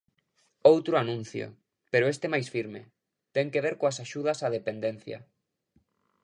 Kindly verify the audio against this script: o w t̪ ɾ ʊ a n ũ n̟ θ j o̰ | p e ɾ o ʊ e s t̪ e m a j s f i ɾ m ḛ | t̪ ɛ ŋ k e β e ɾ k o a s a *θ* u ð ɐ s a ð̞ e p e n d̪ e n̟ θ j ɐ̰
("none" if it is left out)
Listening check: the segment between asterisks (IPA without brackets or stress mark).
ʃ